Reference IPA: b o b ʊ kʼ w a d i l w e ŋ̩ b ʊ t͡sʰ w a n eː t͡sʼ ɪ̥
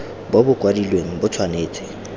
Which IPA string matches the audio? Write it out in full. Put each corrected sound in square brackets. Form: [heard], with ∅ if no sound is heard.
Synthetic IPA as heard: b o b ʊ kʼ w a d i l w e ŋ̩ b ʊ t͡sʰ w a n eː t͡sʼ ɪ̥